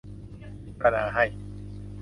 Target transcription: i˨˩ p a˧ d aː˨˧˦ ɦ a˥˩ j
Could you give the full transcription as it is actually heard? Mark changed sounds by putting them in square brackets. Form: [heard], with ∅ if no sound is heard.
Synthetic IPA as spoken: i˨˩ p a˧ [n] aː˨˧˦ ɦ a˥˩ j